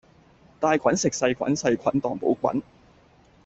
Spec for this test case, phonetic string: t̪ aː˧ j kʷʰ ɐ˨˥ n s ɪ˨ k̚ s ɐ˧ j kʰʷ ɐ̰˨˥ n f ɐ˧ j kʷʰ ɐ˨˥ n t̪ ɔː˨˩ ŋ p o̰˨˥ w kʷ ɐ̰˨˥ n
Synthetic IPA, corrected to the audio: t̪ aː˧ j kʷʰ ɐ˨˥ n s ɪ˨ k̚ s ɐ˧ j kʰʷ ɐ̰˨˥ n s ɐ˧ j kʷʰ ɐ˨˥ n t̪ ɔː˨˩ ŋ p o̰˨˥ w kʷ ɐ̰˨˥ n